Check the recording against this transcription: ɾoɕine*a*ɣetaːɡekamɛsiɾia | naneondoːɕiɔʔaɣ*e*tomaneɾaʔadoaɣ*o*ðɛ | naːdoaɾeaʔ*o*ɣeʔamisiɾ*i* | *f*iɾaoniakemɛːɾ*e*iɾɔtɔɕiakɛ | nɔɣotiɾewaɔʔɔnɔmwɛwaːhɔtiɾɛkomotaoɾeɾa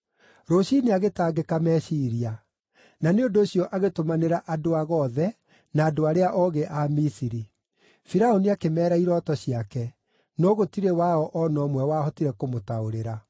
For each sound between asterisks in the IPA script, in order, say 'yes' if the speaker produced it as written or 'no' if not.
yes, yes, no, no, yes, yes, no

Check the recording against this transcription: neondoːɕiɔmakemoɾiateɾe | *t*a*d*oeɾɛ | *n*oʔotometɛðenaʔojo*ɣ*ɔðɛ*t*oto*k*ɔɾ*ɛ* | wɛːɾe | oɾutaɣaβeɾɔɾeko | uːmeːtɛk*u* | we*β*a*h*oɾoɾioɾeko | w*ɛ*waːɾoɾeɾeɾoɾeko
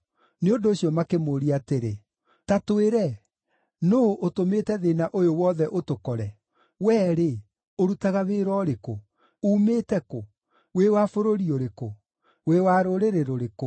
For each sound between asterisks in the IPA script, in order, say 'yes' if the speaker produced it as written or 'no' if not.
yes, no, yes, no, no, yes, yes, no, no, no, no

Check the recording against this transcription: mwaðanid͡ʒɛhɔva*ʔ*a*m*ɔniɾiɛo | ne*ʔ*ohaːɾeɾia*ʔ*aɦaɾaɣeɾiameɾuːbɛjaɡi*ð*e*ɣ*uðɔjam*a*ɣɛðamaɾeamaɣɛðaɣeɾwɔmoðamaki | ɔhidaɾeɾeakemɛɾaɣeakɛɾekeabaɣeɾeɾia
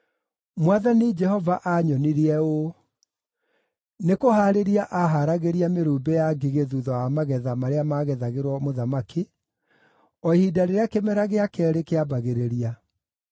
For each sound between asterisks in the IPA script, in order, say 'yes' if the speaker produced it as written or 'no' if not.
yes, no, no, yes, no, no, yes

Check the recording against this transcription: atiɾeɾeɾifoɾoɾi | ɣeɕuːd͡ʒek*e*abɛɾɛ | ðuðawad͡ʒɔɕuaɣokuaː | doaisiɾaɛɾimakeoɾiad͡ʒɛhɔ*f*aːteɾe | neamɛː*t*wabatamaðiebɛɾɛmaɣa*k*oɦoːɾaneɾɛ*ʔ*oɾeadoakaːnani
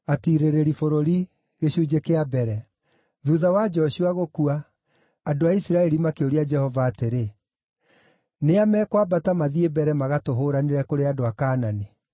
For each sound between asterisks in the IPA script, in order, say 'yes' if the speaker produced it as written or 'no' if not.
yes, no, no, no, no

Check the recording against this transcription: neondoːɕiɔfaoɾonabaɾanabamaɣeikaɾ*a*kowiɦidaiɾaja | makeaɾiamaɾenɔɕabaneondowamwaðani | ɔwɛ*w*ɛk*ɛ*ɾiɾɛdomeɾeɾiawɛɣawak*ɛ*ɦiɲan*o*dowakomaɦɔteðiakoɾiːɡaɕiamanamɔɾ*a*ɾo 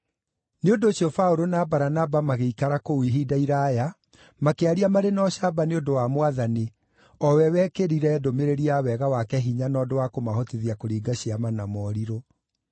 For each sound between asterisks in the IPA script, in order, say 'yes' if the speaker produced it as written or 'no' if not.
yes, yes, no, yes, no, no

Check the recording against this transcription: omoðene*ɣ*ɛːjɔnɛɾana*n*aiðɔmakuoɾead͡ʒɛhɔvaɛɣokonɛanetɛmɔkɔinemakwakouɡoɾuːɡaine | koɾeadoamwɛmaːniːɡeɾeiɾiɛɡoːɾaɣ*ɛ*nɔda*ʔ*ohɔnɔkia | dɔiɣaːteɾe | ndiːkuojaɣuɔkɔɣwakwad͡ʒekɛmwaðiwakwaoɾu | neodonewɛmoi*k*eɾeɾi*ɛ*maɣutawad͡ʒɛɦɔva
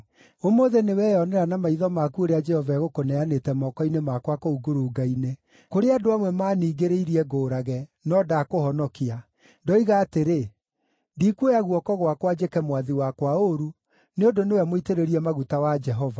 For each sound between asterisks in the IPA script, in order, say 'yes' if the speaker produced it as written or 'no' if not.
no, no, yes, no, no, yes

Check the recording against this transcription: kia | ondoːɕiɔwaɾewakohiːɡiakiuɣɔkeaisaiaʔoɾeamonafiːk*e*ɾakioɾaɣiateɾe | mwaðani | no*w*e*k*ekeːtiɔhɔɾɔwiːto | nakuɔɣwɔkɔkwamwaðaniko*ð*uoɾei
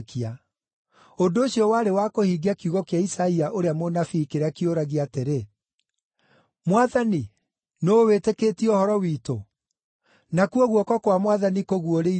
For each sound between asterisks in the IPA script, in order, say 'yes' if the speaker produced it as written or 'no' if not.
yes, yes, no, no

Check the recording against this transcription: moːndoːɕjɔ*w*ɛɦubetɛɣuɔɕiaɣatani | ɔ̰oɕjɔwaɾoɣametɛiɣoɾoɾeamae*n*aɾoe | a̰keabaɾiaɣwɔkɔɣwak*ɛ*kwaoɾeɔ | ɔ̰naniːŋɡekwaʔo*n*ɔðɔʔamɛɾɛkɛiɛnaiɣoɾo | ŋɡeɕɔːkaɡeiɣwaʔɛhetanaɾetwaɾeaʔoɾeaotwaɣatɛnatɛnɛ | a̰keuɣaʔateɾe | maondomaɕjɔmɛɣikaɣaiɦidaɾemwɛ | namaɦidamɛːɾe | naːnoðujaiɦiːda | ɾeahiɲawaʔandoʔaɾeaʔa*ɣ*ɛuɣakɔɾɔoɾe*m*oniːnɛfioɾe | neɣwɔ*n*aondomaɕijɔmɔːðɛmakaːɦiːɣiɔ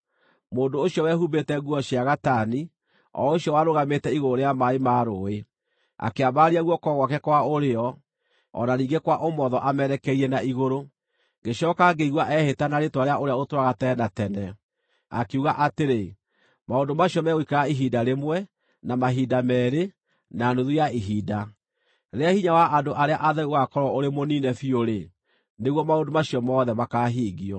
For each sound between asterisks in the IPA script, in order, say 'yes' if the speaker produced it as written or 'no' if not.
yes, no, yes, no, no, yes, no

